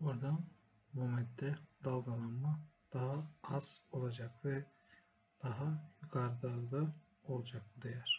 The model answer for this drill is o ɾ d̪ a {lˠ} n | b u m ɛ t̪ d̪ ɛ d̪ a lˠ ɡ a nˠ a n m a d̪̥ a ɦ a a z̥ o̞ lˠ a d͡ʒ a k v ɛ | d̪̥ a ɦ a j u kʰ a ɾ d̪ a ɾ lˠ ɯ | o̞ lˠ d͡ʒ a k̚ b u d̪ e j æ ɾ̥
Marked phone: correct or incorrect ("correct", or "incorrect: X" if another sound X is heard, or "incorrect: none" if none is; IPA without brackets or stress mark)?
incorrect: none